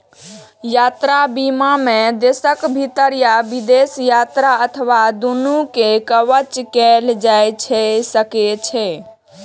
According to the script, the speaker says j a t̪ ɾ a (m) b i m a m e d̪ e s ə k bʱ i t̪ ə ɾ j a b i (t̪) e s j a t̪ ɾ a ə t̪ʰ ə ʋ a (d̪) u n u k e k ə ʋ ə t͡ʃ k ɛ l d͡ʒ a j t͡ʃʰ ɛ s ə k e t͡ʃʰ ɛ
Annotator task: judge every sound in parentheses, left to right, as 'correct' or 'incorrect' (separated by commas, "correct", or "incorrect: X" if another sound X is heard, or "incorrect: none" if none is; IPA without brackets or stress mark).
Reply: incorrect: none, incorrect: d̪, correct